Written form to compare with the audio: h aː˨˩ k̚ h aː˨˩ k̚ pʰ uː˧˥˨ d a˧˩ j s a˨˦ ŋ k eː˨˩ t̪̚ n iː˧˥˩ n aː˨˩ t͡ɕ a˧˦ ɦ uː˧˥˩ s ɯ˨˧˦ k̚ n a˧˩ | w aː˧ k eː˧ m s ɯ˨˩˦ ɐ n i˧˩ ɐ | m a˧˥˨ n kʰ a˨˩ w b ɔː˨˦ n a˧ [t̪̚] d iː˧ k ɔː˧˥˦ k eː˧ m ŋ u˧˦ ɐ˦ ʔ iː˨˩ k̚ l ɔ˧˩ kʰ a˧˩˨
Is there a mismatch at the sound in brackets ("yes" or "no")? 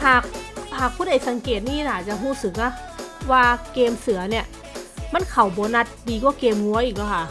no